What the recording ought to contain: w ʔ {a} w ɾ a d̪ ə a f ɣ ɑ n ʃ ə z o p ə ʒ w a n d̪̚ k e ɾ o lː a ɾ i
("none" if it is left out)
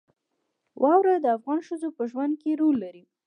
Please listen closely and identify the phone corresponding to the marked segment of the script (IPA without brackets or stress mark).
ɑ